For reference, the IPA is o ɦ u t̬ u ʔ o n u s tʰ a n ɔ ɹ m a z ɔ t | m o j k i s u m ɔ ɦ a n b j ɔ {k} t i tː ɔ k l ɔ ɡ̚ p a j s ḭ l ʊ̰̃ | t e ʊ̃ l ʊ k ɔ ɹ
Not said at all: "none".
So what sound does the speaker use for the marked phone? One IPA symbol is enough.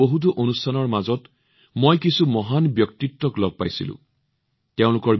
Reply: k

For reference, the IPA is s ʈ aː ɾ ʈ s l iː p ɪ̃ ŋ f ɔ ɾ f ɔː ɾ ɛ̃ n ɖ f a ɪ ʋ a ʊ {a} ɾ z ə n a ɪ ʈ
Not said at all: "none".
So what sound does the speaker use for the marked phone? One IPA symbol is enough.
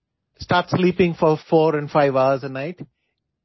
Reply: ə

